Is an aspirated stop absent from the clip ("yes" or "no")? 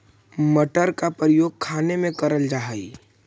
no